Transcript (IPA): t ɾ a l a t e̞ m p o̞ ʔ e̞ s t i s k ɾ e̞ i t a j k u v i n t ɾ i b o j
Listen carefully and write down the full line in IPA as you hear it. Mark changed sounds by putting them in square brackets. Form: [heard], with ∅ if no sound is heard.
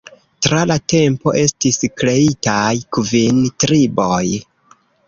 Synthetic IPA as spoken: t ɾ a l a t e̞ m p o̞ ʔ e̞ s t i s k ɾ e̞ i t a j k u v i n t ɾ i b o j